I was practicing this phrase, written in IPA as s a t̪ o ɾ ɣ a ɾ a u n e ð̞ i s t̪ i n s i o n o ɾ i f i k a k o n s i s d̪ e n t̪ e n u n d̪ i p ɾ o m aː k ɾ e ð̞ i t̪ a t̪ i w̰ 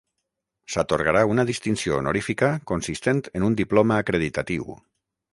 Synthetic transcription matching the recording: s a t̪ o ɾ ɣ a ɾ a u n a ð̞ i s t̪ i n s i o n o ɾ i f i k a k o n s i s t̪ e n t̪ e n u n d̪ i p l o m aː k ɾ e ð̞ i t̪ a t̪ i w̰

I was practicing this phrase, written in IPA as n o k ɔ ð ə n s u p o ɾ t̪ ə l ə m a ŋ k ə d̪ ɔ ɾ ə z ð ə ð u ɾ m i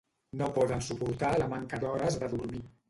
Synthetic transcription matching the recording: n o p ɔ ð ə n s u p u ɾ t̪ a l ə m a ŋ k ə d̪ ɔ ɾ ə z ð ə ð u ɾ m i

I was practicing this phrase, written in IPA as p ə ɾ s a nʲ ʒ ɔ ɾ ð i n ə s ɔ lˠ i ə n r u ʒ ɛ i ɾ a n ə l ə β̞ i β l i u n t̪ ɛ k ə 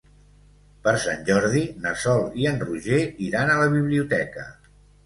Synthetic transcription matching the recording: p ə ɾ s a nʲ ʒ ɔ ɾ ð i n ə s ɔ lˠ i ə n r u ʒ e i ɾ a n ə l ə β̞ i β l i u t̪ ɛ k ə

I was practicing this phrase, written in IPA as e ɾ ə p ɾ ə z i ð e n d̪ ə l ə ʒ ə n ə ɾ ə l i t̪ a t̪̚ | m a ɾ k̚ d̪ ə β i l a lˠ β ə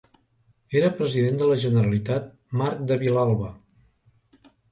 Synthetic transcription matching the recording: e ɾ ə p ɾ ə z i ð e n d̪ ə l ə ʒ ə n ə ɾ ə l i t̪ a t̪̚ | m a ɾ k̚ d̪ ə β i l a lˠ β ə

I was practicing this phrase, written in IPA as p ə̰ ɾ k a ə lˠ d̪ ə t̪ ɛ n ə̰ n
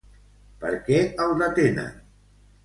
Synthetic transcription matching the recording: p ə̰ ɾ k ɛ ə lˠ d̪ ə t̪ e n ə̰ n

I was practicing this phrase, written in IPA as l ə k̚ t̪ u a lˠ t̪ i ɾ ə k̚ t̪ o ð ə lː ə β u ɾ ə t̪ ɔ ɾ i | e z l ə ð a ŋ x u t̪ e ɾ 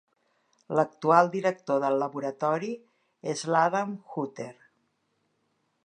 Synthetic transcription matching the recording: l ə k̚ t̪ u a lˠ d̪ i ɾ ə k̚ t̪ o ð ə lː ə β u ɾ ə t̪ ɔ ɾ i | e z l a ð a m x u t̪ e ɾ

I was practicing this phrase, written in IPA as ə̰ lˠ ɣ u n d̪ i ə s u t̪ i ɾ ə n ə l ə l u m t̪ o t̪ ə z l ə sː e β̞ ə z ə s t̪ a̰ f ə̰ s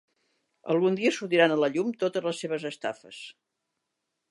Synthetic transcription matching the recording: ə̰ lˠ ɣ u n d̪ i ə s u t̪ i ɾ a n ə l ə ʎ u m t̪ o t̪ ə z l ə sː e β̞ ə z ə s t̪ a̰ f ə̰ s

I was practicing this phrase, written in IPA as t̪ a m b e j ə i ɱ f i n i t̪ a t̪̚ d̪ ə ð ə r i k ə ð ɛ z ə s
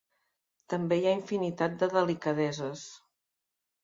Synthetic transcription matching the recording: t̪ ə m b e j a i ɱ f i n i t̪ a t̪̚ d̪ ə ð ə l i k ə ð ɛ z ə s

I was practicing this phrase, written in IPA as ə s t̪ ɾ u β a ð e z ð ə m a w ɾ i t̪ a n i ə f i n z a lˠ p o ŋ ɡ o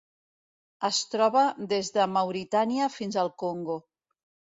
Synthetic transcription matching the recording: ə s t̪ ɾ ɔ β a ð e z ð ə m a w ɾ i t̪ a n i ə f i n z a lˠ k o ŋ ɡ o

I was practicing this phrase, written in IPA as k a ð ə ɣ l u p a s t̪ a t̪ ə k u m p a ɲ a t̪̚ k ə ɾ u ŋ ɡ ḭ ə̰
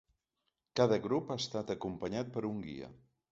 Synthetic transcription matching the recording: k a ð ə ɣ ɾ u p a s t̪ a t̪ ə k u m p ə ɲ a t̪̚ p ə ɾ u ŋ ɡ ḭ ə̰

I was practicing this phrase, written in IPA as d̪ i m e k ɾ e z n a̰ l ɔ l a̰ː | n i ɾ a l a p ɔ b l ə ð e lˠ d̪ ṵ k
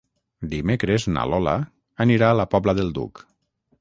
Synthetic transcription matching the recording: d̪ i m e k ɾ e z n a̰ l ɔ l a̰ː | n i ɾ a l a p ɔ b l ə ð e lˠ d̪ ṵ k

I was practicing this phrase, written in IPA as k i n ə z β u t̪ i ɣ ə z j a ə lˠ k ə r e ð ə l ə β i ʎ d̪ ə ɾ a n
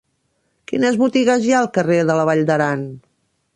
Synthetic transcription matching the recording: k i n ə z β u t̪ i ɣ ə z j a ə lˠ k ə r e ð ə l ə β a ʎ d̪ ə ɾ a n

